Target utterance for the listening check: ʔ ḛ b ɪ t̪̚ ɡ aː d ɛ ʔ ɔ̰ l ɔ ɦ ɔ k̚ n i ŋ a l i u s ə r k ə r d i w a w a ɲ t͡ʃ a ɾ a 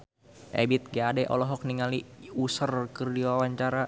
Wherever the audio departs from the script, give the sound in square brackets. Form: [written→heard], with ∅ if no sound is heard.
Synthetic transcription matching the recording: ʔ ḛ b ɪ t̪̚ ɡ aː d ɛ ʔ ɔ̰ l ɔ ɦ ɔ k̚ n i ŋ a l i u s ə r k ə r d i w a w a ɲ t͡ʃ a ɾ a